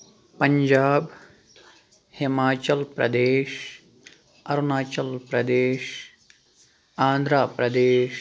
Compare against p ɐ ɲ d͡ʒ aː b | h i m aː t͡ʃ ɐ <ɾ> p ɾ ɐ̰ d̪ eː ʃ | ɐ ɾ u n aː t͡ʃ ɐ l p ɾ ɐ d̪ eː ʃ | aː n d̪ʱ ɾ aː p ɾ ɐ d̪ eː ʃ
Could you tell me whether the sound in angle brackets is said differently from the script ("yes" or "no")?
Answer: yes